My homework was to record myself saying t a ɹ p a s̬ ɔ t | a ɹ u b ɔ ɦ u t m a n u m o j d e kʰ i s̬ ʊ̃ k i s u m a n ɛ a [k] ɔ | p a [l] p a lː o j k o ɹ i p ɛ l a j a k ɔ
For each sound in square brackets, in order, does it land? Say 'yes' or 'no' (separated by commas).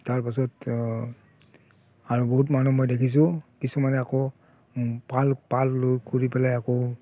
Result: yes, yes